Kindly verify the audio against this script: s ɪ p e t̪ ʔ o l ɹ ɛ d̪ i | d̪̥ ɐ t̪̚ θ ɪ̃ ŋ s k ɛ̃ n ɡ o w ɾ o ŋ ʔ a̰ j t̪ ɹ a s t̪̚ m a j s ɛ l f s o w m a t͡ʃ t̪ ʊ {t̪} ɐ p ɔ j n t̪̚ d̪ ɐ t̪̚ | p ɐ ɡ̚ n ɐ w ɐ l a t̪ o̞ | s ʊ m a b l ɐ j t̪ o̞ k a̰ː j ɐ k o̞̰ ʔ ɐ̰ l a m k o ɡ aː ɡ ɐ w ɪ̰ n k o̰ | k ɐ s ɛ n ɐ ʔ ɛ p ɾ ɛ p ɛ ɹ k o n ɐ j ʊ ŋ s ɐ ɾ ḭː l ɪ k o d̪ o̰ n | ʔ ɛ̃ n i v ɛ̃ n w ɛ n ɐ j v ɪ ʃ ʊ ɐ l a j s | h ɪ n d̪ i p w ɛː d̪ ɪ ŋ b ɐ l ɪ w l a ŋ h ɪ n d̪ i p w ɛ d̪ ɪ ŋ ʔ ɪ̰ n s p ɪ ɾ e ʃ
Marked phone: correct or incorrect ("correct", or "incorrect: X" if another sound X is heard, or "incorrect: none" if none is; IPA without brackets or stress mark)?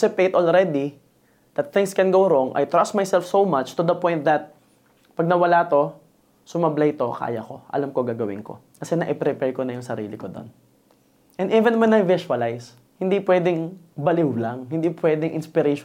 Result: incorrect: d̪